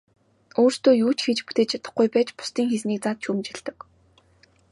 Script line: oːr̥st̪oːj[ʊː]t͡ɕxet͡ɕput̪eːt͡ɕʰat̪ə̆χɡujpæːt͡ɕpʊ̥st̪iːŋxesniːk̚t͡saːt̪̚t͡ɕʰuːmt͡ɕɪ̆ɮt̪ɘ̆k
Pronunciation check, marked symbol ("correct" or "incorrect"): incorrect